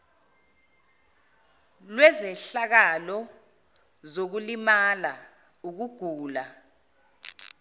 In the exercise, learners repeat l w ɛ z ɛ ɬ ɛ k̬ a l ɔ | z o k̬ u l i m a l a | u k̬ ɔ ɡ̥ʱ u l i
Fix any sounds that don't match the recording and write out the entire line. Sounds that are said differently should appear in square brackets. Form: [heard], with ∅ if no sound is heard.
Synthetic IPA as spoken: l w ɛ z ɛ ɬ [a] k̬ a l ɔ | z o k̬ u l i m a l a | u k̬ [u] ɡ̥ʱ [uː] l [a]